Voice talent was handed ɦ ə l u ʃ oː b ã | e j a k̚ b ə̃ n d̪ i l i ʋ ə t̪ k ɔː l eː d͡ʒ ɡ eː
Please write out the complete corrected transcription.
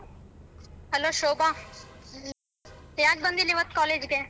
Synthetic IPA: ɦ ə l o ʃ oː b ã | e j a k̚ b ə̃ n d̪ i l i ʋ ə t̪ k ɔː l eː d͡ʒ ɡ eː

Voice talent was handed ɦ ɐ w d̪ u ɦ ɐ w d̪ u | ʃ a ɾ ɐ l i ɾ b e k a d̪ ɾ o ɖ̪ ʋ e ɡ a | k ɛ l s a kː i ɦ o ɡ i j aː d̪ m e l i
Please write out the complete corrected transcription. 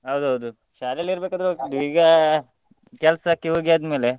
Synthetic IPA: ɦ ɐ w d̪ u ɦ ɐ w d̪ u | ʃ a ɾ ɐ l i ɾ b e k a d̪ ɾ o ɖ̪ ʋ i ɡ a | k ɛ l s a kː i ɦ o ɡ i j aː d̪ m e l e

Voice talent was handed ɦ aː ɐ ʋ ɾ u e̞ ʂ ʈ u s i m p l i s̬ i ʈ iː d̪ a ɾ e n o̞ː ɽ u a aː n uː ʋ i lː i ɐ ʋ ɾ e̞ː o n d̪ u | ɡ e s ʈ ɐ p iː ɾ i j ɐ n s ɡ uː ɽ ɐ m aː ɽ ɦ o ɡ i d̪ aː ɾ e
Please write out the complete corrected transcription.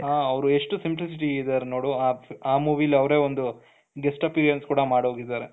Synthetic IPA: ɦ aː ɐ ʋ ɾ u e̞ ʂ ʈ u s i m p l i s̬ i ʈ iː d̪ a ɾ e n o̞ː ɽ u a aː m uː ʋ i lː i ɐ ʋ ɾ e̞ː o n d̪ u | ɡ e s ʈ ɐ p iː ɾ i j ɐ n s k uː ɽ ɐ m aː ɽ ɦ o ɡ i d̪ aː ɾ e

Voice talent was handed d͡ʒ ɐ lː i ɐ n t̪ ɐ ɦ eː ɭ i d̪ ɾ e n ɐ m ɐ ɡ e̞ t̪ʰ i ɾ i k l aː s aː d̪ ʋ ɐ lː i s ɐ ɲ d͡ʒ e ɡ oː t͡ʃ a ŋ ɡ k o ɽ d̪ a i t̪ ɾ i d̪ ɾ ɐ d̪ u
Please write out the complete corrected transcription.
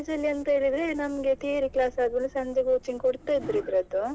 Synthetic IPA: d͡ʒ ɐ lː i ɐ n t̪ ɐ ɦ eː ɭ i d̪ ɾ e n ɐ m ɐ ɡ e̞ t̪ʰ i ɾ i k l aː s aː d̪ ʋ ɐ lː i s ɐ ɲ d͡ʒ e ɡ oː t͡ʃ i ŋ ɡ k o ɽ t̪ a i d̪ ɾ i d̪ ɾ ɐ d̪ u

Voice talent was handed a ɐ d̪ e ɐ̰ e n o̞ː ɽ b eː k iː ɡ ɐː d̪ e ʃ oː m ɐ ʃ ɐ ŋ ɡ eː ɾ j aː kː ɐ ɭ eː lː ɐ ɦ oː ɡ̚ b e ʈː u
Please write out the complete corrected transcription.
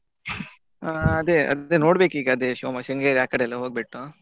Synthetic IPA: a ɐ d̪ e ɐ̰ e n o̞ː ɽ b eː k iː ɡ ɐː d̪ e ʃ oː m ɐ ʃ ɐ ŋ ɡ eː ɾ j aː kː ɐ ɽ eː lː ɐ ɦ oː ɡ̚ b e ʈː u

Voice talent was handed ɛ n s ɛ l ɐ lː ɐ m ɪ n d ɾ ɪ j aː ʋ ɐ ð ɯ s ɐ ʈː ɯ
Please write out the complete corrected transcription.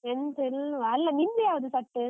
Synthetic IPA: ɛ n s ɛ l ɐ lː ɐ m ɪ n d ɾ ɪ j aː ʋ ɐ ð ɯ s ɐ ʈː ɯ

